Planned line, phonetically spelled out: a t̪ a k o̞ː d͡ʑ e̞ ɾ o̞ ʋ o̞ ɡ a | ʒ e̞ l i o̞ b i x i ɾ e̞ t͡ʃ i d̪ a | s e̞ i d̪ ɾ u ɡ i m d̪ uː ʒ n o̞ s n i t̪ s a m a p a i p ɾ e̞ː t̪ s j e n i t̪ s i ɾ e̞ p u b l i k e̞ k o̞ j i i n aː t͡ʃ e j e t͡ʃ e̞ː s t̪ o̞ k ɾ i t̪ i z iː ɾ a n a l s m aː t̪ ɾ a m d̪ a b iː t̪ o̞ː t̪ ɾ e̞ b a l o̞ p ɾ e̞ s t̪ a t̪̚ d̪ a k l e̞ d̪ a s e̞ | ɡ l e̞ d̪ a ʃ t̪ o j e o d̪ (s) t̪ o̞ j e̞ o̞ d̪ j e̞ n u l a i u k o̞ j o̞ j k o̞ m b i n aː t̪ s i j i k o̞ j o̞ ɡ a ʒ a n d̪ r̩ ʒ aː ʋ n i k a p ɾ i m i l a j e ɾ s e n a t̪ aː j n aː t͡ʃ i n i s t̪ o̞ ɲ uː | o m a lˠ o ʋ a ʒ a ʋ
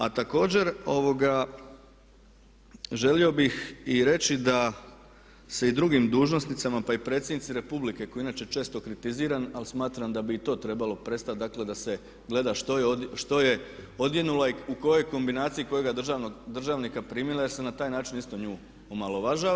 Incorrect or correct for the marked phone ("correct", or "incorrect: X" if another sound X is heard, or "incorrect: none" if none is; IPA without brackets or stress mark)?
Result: incorrect: ʃ